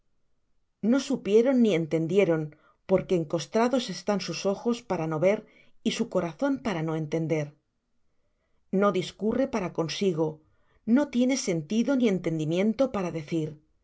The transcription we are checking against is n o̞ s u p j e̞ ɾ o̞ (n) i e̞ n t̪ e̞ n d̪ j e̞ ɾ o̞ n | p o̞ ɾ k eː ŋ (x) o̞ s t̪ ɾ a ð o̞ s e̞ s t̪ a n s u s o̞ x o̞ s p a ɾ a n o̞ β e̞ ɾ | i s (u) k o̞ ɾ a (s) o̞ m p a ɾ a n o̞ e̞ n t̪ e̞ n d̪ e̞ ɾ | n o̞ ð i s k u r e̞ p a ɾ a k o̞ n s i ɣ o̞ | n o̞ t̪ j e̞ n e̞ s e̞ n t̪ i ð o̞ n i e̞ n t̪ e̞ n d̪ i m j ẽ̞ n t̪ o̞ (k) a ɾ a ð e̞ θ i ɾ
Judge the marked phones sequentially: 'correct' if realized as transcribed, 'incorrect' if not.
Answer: incorrect: nː, incorrect: k, correct, incorrect: θ, incorrect: p

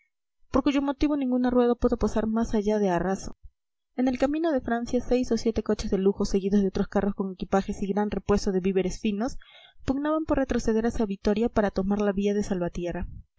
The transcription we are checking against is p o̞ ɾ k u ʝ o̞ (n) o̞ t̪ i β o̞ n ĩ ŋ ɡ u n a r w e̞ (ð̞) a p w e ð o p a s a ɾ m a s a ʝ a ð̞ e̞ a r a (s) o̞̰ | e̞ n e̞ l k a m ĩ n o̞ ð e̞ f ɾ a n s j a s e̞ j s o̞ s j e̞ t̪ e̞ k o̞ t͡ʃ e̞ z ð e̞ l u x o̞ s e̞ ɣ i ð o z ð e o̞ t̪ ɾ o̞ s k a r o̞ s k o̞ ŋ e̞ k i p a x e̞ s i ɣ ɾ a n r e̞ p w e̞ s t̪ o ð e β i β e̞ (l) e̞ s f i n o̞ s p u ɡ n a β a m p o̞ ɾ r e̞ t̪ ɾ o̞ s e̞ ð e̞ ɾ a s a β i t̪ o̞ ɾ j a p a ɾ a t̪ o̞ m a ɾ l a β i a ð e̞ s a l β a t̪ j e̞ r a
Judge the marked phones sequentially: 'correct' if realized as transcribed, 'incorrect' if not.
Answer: incorrect: m, correct, correct, incorrect: ɾ

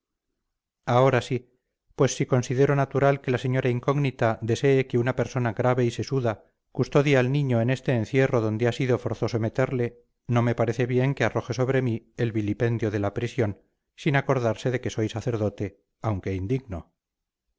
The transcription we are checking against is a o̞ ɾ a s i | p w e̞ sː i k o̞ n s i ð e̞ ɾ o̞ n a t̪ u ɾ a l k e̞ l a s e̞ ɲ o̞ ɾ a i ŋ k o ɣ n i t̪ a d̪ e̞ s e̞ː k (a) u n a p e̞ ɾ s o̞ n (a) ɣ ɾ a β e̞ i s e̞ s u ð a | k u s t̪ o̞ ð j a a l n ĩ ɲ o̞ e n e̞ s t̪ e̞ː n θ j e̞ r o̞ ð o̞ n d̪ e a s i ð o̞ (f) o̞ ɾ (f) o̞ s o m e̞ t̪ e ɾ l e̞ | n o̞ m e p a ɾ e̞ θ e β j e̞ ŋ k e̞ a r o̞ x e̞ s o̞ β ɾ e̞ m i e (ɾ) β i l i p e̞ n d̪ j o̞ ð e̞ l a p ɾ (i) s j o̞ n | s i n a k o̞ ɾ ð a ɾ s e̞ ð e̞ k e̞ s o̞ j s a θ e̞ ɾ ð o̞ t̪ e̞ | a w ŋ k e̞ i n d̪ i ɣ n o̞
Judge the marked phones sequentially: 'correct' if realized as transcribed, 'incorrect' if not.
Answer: incorrect: e, correct, correct, incorrect: θ, incorrect: l, correct

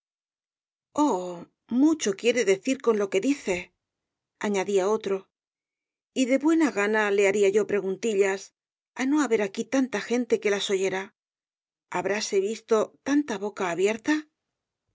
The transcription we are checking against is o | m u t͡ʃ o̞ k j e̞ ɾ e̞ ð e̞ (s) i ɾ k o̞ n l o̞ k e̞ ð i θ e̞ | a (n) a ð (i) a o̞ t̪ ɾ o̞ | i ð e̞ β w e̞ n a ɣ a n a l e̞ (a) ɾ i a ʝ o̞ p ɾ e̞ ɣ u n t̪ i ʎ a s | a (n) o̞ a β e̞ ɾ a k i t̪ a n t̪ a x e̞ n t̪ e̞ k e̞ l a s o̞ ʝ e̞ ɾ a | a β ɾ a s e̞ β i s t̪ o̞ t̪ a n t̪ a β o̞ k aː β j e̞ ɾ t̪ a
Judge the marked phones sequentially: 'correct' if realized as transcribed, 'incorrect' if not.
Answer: incorrect: θ, incorrect: ɲ, correct, correct, correct

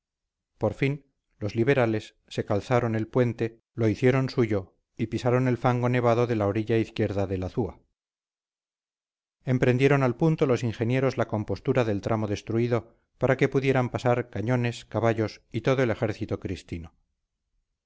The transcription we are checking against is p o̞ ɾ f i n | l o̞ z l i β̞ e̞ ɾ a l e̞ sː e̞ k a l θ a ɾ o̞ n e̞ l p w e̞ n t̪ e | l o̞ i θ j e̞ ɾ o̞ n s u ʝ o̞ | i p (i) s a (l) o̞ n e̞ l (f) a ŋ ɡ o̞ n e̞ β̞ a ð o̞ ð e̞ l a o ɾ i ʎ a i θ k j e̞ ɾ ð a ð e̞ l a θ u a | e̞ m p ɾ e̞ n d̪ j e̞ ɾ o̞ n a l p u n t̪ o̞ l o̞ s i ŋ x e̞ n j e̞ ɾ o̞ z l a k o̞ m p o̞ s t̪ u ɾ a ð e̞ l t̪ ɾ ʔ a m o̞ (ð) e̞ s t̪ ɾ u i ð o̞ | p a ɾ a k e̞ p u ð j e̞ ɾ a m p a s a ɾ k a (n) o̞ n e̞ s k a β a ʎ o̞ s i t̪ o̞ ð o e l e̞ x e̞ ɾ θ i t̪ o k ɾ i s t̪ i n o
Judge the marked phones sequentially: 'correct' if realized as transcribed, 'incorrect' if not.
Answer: correct, incorrect: ɾ, correct, correct, incorrect: ɲ

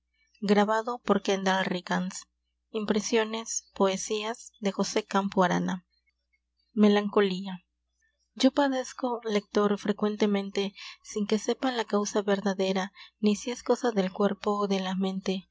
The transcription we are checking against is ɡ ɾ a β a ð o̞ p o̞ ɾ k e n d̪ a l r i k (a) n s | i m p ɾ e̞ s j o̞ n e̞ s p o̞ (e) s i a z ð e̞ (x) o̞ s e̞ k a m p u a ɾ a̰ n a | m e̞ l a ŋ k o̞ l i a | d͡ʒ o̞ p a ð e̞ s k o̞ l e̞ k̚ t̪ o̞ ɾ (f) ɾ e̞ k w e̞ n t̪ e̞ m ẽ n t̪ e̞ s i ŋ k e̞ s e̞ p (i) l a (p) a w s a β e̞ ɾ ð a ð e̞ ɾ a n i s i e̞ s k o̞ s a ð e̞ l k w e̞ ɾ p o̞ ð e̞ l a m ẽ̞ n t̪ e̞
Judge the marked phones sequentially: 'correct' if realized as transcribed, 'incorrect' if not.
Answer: correct, correct, correct, correct, incorrect: a, incorrect: k

